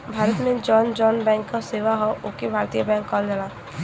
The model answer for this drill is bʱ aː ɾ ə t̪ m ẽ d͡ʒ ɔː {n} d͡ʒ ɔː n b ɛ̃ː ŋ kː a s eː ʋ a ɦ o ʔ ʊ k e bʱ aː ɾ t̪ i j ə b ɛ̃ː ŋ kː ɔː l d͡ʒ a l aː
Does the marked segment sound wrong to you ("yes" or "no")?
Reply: no